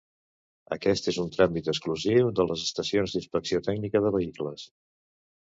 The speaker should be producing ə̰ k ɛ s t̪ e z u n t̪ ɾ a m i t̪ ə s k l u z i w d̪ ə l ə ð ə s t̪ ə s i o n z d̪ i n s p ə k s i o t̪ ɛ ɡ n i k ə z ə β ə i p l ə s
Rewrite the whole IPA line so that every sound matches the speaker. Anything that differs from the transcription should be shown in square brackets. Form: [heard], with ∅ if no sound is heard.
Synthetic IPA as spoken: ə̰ k ɛ s t̪ e z u n t̪ ɾ a m i t̪ ə s k l u z i w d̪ ə l ə [z] ə s t̪ ə s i o n z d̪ i n s p ə k s i o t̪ ɛ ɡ n i k ə [ð] ə β ə i [k] l ə s